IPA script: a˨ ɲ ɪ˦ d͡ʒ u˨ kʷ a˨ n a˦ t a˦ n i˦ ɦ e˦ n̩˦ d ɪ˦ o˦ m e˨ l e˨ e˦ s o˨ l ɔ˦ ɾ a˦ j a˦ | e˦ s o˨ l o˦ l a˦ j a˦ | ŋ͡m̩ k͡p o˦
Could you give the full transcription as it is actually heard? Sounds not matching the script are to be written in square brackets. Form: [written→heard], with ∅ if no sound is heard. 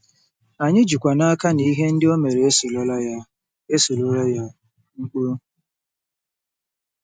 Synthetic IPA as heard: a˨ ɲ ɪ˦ d͡ʒ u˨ kʷ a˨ n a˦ [t→k] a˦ n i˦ ɦ e˦ n̩˦ d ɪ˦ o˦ m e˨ [l→ɾ] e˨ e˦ s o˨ l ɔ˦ [ɾ→l] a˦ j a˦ | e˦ s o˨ l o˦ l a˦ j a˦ | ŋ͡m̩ k͡p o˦

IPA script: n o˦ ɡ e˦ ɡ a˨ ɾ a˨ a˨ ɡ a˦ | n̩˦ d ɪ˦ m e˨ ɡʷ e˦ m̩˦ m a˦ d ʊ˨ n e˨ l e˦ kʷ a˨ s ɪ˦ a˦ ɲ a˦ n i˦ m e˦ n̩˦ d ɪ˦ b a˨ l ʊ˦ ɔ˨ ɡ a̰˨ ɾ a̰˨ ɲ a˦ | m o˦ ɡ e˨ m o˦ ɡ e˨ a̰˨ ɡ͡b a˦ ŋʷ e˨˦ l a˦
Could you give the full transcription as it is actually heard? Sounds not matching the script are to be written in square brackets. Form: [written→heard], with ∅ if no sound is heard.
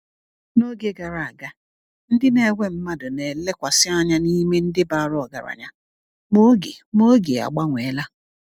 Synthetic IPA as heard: n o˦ ɡ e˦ ɡ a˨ ɾ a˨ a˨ ɡ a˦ | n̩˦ d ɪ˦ [m→n] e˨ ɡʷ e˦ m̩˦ m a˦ d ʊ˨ n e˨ l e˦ kʷ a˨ s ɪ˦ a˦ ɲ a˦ n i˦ m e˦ n̩˦ d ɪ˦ b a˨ [l→ɾ] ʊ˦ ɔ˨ ɡ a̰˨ ɾ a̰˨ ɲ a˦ | m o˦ ɡ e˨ m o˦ ɡ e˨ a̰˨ ɡ͡b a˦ ŋʷ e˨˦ l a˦

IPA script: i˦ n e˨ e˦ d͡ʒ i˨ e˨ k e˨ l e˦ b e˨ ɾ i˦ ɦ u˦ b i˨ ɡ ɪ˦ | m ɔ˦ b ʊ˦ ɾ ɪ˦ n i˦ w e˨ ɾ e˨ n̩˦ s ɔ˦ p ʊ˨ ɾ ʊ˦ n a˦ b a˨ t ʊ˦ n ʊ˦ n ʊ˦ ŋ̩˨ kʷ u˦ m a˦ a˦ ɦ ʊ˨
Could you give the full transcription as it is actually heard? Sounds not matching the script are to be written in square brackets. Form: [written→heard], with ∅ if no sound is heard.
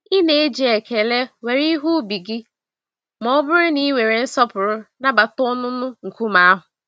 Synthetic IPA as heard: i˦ n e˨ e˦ d͡ʒ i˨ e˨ k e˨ l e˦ [b→w] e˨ ɾ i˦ ɦ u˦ b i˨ ɡ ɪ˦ | m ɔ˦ b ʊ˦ ɾ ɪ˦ n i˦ w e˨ ɾ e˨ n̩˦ s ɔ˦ p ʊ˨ ɾ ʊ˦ n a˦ b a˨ t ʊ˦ n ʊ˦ n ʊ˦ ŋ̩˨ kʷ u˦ m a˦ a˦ ɦ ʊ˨

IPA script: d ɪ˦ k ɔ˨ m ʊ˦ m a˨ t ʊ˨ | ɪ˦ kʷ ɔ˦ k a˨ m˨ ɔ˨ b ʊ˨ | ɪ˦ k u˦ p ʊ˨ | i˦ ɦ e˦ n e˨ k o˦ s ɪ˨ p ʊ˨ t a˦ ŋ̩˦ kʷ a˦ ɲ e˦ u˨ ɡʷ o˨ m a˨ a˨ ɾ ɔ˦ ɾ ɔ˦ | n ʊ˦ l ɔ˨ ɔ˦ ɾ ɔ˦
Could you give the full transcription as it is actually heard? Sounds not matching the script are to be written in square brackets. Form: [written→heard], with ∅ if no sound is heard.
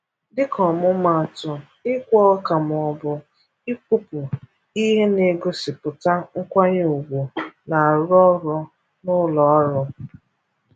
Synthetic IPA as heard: d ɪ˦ k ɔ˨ m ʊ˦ m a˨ t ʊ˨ | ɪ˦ kʷ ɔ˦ k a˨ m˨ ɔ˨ b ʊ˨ | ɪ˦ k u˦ p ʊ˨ | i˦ ɦ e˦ n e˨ [k→ɡ] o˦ s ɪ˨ p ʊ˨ t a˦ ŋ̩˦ kʷ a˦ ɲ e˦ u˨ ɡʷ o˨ [m→n] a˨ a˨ ɾ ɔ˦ ɾ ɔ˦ | n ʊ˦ l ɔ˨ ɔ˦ ɾ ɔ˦

